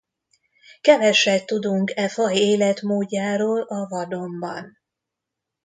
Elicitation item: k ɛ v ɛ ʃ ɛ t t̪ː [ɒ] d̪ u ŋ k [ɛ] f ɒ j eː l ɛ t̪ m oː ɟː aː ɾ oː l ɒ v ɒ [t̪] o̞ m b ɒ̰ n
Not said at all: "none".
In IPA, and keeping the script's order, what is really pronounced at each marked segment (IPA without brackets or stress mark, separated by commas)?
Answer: u, ɛ, d̪